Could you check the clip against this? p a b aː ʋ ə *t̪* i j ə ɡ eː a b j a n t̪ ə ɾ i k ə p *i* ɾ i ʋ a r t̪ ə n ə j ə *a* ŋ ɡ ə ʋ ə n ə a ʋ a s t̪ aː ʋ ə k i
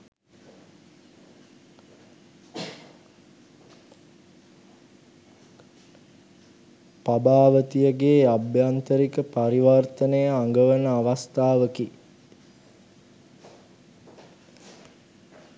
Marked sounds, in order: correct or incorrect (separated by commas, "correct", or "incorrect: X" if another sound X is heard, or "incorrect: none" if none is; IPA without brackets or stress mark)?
correct, incorrect: a, correct